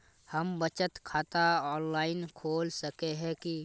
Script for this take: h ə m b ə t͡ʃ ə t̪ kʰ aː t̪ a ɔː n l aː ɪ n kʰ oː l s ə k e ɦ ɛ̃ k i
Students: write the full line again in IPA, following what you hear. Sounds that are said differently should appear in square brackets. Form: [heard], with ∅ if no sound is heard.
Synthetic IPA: h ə m b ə t͡ʃ ə t̪ kʰ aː t̪ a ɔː n l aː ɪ n kʰ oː l s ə k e ɦ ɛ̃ k i